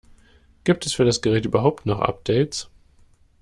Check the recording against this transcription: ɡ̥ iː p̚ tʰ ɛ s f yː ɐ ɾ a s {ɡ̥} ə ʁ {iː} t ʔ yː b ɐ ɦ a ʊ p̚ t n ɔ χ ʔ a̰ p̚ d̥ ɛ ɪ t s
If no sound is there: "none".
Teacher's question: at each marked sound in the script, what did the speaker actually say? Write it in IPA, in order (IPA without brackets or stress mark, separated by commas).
ɡ̥, ɛː